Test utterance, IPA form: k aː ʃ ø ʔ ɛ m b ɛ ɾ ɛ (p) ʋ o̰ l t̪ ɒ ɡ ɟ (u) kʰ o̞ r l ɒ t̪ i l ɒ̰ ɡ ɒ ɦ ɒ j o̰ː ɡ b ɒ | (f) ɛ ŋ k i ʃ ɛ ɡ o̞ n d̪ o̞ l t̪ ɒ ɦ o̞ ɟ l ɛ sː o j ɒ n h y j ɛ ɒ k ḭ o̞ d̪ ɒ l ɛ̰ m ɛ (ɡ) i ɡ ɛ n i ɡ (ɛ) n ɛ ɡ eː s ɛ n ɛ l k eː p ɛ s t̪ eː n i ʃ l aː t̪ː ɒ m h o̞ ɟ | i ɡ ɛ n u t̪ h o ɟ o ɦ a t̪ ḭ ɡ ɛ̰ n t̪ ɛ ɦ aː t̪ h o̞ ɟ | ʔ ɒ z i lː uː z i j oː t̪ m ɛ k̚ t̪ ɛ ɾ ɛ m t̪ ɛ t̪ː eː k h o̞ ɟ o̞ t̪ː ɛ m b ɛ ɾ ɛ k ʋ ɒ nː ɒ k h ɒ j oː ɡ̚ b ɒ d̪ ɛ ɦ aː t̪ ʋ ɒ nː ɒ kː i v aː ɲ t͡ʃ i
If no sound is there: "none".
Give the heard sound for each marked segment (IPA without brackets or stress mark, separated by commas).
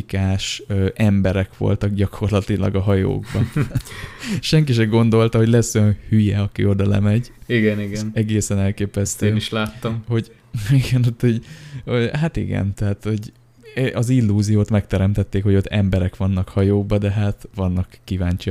k, ɒ, ʃ, ɟ, ɛ